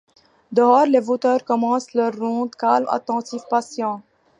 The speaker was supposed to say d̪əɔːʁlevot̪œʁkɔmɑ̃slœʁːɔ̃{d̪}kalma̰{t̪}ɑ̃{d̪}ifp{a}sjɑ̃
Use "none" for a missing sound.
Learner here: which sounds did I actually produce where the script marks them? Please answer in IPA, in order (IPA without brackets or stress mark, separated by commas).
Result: d̪, t̪, t̪, a